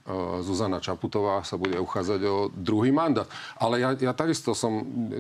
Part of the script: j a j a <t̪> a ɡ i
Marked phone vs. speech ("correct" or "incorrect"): correct